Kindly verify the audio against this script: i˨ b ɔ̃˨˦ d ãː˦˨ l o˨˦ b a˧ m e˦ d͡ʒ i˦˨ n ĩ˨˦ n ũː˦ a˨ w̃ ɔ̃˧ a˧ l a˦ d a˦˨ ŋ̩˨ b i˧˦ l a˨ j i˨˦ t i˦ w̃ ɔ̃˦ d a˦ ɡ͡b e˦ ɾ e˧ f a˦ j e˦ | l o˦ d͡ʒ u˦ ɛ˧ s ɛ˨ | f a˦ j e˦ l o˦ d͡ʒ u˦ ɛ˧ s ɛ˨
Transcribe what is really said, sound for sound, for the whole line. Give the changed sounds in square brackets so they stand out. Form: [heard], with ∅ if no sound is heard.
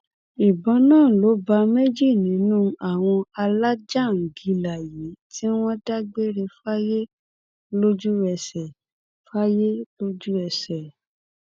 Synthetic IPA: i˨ b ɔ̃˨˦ [n] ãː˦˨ l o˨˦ b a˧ m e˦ d͡ʒ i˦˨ n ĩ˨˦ n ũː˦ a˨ w̃ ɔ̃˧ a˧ l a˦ [d͡ʒ] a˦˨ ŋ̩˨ [ɡ] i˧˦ l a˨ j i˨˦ t i˦ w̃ ɔ̃˦ d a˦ ɡ͡b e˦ ɾ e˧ f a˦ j e˦ | l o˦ d͡ʒ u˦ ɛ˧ s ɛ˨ | f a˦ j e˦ l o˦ d͡ʒ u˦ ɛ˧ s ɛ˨